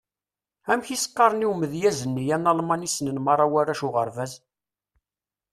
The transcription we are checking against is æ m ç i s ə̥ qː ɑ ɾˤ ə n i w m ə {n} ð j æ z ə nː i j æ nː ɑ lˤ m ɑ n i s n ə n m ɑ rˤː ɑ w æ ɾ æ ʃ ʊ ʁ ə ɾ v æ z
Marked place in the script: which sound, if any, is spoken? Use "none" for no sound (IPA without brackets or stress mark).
none